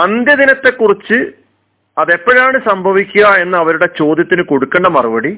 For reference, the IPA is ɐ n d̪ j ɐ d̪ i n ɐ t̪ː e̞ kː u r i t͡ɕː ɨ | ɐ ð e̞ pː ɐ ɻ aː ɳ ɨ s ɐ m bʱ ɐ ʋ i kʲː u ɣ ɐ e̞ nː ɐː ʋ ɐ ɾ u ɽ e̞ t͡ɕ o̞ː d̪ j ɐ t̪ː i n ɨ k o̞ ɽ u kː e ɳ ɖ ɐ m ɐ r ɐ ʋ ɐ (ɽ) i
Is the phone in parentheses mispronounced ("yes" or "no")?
no